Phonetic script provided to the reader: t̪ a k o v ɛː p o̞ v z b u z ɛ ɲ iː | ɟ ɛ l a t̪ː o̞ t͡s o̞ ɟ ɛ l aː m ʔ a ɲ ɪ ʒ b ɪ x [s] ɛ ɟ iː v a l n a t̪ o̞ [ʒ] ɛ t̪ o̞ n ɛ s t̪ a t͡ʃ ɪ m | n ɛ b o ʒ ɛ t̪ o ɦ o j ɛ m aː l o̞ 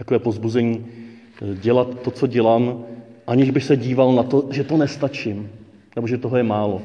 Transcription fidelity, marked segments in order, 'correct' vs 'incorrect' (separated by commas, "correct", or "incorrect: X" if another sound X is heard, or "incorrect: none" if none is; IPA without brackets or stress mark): correct, correct